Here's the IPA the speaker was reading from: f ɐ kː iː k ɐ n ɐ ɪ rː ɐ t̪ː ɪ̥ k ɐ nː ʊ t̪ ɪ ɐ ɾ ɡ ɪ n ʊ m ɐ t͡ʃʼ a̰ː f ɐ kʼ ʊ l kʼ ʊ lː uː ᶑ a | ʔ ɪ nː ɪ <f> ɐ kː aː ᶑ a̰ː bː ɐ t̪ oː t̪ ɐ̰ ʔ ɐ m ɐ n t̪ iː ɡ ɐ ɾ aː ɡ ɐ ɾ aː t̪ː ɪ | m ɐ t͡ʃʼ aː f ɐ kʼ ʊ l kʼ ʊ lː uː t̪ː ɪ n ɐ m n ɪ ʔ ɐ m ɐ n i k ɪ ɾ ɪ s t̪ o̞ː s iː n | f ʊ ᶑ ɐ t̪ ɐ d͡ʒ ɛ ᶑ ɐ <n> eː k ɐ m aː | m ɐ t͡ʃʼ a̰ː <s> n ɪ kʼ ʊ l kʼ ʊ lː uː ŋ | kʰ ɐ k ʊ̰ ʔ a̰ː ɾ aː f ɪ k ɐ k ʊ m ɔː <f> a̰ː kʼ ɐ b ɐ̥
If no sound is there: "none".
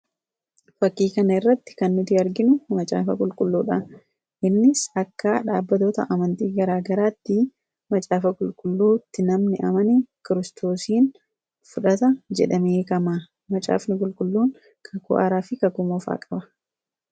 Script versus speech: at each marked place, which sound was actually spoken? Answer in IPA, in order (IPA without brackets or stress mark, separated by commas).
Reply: s, m, f, f